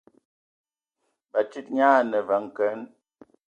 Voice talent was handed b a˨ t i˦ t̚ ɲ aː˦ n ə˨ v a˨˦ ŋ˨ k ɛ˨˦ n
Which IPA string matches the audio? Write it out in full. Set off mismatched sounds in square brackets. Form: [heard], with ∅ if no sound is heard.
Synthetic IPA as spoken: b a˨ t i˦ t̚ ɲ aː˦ n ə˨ v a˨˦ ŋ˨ k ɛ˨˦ n